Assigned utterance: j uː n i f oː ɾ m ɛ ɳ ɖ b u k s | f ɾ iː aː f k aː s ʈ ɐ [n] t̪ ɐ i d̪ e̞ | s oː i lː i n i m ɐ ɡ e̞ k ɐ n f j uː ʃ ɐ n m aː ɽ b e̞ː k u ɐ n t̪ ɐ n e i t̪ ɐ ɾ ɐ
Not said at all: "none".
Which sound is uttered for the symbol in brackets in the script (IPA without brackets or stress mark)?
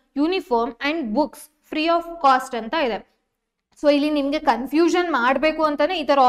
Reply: n